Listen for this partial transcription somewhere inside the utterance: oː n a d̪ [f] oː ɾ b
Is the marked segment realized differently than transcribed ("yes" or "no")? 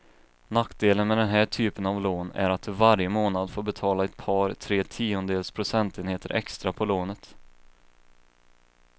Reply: no